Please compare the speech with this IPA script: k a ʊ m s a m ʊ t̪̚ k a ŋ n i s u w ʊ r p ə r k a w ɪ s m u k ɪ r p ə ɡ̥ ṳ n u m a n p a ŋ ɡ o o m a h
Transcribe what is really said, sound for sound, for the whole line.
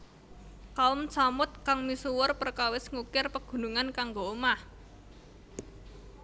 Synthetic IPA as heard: k a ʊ m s a m ʊ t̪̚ k a ŋ m i s u w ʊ r p ə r k a w ɪ s ŋ u k ɪ r p ə ɡ̥ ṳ n u ŋ a n k a ŋ ɡ o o m a h